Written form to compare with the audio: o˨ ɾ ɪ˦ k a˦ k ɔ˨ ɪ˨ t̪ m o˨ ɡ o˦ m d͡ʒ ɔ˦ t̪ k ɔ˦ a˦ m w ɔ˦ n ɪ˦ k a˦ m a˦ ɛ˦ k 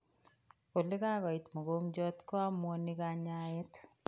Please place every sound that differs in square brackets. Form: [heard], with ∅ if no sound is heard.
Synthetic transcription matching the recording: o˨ [l] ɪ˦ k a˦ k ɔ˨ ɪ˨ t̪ m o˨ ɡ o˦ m d͡ʒ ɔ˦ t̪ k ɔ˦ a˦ m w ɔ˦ n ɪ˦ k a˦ [ɲ] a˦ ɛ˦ [t]